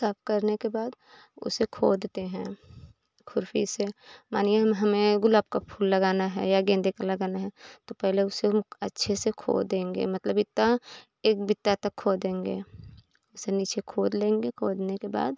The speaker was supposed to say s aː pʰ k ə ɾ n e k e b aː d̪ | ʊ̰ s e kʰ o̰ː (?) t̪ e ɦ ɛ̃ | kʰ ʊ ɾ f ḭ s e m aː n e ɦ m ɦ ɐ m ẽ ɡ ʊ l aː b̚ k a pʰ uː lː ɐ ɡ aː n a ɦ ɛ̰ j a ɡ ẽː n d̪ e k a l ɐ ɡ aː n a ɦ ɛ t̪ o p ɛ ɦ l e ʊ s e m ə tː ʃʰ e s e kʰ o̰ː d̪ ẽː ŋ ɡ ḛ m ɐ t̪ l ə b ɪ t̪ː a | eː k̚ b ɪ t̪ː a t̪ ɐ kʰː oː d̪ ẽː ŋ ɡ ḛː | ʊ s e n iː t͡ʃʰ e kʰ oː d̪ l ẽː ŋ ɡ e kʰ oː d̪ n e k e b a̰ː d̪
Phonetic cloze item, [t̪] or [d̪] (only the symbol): d̪